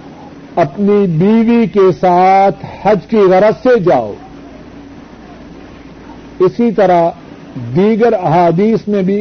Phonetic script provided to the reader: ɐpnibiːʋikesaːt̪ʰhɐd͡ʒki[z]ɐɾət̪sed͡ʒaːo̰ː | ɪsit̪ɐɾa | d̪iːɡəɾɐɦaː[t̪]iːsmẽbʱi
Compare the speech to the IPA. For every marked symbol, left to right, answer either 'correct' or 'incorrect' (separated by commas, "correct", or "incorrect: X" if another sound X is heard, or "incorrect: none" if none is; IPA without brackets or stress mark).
incorrect: ɣ, incorrect: d̪